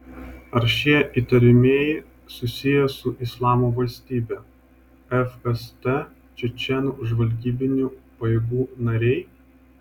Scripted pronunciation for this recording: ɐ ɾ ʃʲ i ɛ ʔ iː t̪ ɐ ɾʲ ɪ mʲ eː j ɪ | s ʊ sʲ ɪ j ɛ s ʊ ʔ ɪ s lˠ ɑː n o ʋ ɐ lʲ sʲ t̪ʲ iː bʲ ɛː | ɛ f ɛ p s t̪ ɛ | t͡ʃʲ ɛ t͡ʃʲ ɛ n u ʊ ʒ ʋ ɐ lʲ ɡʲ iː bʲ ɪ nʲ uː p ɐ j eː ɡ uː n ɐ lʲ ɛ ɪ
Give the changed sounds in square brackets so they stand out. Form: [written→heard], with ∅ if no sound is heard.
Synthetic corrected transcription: ɐ ɾ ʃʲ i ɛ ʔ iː t̪ ɐ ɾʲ ɪ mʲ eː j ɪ | s ʊ sʲ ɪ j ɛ s ʊ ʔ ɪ s lˠ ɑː [n→m] o ʋ ɐ lʲ sʲ t̪ʲ iː bʲ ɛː | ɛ f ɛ [p→∅] s t̪ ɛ | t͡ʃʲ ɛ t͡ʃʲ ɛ n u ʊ ʒ ʋ ɐ lʲ ɡʲ iː bʲ ɪ nʲ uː p ɐ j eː ɡ uː n ɐ [lʲ→ɾʲ] ɛ ɪ